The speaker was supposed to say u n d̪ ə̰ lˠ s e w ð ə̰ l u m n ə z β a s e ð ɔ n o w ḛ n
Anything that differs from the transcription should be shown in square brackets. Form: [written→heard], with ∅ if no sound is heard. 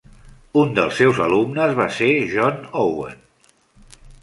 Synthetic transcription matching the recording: u n d̪ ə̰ lˠ s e w [ð→z] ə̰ l u m n ə z β a s e [ð→ʒ] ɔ n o w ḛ n